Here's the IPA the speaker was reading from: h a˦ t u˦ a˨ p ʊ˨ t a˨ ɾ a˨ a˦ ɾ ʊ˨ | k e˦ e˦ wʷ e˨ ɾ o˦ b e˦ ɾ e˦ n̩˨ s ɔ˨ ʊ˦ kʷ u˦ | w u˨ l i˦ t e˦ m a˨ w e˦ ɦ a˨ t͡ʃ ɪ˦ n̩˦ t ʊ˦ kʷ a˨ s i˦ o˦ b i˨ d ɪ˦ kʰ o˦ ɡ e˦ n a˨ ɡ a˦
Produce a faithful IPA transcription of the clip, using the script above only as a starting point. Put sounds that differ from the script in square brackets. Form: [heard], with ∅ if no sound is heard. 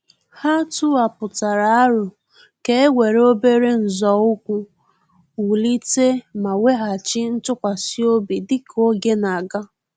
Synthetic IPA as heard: h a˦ t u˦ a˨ p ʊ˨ t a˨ ɾ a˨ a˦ ɾ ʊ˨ | k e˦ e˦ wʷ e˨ ɾ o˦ b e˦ ɾ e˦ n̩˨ [z] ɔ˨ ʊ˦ kʷ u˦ | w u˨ l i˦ t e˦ m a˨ w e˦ ɦ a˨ t͡ʃ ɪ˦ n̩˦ t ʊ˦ kʷ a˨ s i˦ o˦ b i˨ d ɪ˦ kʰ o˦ ɡ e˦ n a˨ ɡ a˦